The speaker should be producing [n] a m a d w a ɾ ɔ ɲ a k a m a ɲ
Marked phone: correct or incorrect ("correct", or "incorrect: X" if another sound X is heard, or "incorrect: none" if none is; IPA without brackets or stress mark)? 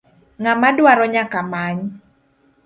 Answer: incorrect: ŋ